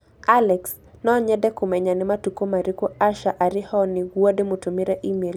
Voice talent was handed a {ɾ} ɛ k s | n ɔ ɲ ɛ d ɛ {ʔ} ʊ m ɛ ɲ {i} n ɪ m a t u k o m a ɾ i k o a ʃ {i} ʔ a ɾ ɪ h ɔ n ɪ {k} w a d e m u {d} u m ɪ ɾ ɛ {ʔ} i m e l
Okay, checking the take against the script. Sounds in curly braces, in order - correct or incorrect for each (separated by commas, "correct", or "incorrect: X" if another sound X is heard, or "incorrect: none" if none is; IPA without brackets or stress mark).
incorrect: l, incorrect: k, incorrect: a, incorrect: a, incorrect: ɡ, incorrect: t, correct